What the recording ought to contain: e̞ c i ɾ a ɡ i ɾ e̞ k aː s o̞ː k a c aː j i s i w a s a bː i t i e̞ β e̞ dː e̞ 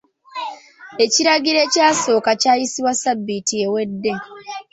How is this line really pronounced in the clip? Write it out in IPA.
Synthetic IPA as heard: e̞ c i ɾ a ɡ i ɾ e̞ c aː s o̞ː k a c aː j i s i w a s a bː i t i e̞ w e̞ dː e̞